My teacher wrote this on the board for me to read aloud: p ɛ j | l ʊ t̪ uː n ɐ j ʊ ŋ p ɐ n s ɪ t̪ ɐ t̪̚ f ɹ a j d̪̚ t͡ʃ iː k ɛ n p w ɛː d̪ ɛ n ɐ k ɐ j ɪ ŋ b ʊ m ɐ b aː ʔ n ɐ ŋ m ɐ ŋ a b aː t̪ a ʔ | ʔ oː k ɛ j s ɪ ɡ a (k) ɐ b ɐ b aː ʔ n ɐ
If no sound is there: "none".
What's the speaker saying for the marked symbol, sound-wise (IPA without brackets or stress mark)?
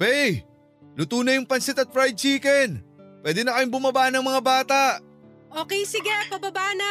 p